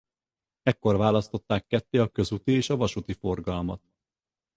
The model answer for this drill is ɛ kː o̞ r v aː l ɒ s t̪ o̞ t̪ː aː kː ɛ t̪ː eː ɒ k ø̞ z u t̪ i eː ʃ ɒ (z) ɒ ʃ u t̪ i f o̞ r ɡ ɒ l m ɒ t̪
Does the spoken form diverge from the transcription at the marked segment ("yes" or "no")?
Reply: yes